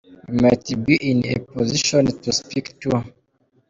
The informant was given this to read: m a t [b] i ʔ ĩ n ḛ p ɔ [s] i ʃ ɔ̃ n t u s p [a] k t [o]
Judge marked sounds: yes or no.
yes, no, no, no

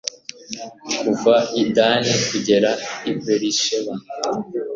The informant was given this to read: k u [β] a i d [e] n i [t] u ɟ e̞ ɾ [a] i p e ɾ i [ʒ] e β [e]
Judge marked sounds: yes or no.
no, no, no, yes, no, no

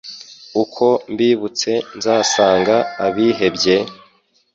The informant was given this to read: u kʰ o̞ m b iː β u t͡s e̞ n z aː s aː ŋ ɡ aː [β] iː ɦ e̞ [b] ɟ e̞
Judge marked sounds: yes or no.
yes, yes

